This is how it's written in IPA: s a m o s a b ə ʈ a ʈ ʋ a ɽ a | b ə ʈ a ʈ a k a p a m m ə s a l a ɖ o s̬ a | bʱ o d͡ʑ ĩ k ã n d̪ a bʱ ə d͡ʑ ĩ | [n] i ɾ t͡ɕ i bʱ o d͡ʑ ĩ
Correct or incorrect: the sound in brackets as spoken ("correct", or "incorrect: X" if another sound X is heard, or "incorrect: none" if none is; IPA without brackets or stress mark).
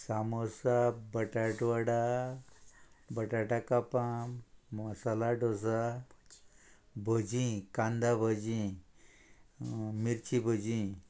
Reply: incorrect: m